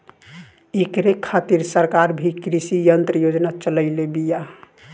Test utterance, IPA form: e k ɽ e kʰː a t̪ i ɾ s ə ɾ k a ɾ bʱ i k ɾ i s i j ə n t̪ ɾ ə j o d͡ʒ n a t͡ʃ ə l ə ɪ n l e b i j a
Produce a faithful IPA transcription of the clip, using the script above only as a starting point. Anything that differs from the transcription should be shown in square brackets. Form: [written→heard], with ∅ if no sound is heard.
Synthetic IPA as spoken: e k [ɽ→ɾ] e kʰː a t̪ i ɾ s ə ɾ k a ɾ bʱ i k ɾ i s i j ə n t̪ ɾ ə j o d͡ʒ n a t͡ʃ ə l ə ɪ [n→∅] l e b i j a